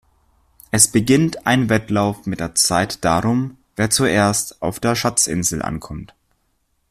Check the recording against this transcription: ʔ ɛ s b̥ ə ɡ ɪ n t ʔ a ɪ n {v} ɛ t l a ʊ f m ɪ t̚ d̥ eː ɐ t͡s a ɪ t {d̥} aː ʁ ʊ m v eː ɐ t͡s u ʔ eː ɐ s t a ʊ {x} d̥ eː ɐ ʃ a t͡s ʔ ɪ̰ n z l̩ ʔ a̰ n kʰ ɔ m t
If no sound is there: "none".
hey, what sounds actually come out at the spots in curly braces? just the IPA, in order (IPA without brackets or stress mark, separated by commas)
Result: v, d̥, f